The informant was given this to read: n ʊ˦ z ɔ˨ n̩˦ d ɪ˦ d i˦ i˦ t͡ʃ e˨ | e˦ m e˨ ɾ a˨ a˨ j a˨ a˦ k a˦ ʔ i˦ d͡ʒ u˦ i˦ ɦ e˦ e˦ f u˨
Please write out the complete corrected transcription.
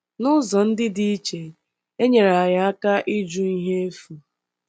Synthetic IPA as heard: n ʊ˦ z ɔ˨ n̩˦ d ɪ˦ d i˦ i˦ t͡ʃ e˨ | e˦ ɲ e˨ ɾ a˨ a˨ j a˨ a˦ k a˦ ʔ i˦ d͡ʒ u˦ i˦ ɦ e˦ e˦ f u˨